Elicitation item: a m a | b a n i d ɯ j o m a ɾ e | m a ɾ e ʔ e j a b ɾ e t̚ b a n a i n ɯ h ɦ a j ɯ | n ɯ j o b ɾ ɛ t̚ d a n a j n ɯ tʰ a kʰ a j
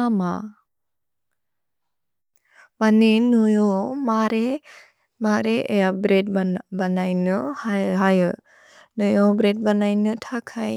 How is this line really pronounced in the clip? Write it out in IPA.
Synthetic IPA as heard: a m a | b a n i n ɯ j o m a ɾ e | m a ɾ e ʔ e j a b ɾ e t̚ b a n a j n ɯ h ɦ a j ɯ | n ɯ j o b ɾ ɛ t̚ b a n a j n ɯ tʰ a kʰ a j